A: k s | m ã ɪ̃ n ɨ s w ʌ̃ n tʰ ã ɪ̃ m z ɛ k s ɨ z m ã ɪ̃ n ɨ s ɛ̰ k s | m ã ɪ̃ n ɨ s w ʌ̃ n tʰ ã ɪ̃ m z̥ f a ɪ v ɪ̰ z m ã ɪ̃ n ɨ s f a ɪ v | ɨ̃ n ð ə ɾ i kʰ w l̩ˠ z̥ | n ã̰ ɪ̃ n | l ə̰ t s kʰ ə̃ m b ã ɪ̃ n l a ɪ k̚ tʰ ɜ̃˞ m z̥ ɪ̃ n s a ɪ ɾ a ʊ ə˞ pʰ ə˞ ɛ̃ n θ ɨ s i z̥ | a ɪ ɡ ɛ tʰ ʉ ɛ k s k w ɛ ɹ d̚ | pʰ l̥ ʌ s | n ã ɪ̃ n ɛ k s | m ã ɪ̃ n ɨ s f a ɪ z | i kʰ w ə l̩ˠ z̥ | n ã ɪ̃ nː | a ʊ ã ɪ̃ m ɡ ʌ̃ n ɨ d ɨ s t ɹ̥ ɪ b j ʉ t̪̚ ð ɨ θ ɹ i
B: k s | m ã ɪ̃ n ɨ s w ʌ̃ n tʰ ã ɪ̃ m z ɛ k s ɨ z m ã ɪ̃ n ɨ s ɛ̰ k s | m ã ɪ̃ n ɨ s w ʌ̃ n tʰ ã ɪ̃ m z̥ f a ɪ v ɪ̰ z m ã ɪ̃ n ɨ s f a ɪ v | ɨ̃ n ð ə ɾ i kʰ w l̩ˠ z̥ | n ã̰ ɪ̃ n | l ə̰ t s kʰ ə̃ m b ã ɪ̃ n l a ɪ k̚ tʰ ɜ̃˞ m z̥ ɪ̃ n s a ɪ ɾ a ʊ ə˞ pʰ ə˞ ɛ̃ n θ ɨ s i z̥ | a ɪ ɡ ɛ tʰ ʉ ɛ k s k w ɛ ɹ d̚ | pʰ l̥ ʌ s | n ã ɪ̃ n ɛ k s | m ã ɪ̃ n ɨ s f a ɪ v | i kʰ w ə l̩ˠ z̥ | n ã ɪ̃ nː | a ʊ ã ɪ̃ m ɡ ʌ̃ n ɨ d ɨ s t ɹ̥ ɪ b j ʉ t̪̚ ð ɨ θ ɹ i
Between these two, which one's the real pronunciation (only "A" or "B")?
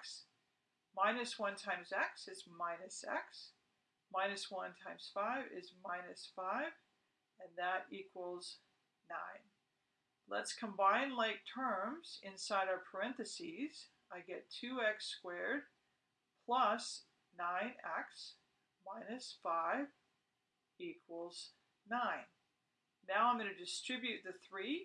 B